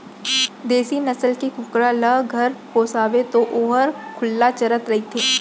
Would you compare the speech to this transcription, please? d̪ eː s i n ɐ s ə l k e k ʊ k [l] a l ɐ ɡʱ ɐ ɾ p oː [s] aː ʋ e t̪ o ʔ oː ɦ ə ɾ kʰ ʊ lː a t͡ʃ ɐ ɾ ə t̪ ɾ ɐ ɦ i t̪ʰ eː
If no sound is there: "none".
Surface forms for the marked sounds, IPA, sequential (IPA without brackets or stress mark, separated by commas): ɾ, s